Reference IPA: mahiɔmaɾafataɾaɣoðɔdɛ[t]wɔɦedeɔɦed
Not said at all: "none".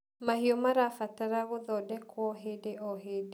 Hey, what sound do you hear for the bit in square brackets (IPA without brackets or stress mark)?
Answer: k